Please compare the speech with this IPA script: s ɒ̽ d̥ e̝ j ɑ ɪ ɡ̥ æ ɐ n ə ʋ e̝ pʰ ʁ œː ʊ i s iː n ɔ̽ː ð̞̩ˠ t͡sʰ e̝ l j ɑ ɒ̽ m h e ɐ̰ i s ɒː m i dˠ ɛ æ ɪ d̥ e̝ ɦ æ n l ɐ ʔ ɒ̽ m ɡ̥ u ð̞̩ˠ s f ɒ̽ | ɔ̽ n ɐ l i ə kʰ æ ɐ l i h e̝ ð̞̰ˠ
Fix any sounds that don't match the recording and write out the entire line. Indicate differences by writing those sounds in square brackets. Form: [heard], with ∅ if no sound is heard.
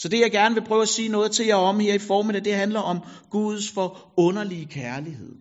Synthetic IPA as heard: s ɒ̽ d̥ e̝ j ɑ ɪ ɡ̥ æ ɐ n ə ʋ e̝ pʰ ʁ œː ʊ [æ] s iː n ɔ̽ː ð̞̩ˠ t͡sʰ e̝ l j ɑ ɒ̽ m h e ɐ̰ i [f] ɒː m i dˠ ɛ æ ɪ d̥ e̝ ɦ æ n l ɐ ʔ ɒ̽ m ɡ̥ u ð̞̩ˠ s f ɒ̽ | ɔ̽ n ɐ l i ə kʰ æ ɐ l i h e̝ ð̞̰ˠ